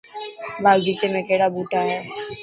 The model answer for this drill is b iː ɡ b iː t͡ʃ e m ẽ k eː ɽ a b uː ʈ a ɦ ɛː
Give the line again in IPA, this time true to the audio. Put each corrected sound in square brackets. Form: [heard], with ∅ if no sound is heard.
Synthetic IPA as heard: b [aː] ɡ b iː t͡ʃ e m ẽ k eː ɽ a b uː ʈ a ɦ ɛː